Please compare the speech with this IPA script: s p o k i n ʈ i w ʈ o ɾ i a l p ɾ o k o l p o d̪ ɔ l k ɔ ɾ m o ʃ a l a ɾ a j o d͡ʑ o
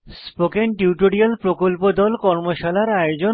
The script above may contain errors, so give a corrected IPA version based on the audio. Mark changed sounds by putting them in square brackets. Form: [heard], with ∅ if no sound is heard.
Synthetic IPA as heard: s p o k [e] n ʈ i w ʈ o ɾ i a l p ɾ o k o l p o d̪ ɔ l k ɔ ɾ m o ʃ a l a ɾ a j o d͡ʑ o